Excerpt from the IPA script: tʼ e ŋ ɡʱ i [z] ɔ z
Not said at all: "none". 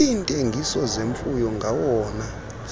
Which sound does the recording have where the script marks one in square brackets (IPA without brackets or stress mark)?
s